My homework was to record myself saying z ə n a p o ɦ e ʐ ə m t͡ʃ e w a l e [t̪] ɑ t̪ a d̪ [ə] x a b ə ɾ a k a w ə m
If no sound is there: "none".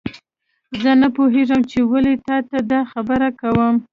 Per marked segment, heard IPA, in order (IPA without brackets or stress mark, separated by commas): t̪, ɑ